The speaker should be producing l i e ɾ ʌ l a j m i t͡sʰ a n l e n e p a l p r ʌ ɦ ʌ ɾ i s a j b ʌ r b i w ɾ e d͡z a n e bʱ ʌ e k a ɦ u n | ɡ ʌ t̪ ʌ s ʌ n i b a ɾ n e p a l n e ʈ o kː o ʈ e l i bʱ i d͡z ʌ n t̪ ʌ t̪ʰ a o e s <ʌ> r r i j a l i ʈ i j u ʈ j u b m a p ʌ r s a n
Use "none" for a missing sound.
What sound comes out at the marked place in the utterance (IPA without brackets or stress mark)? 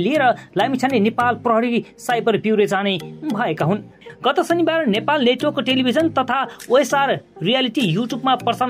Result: a